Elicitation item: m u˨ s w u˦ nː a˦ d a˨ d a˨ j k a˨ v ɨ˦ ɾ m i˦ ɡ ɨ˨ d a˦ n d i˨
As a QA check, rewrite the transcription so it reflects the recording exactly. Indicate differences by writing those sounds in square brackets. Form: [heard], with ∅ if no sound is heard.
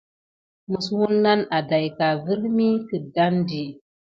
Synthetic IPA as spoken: m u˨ s w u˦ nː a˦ [n] a˨ d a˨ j k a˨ v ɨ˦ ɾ m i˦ [k] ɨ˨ d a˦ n d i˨